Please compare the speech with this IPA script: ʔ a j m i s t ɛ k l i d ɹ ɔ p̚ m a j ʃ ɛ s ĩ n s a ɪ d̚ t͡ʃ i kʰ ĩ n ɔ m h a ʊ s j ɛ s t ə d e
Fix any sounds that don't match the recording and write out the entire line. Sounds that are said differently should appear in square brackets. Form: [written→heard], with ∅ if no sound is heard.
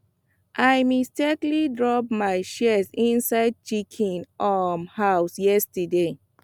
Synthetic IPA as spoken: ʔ a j m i s t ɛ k l i d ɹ ɔ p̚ m a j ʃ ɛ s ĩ n s a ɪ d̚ t͡ʃ i kʰ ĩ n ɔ m h a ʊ s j ɛ s t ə d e